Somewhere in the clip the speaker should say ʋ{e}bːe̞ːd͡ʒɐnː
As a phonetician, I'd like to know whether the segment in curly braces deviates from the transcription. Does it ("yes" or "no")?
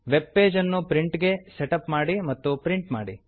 no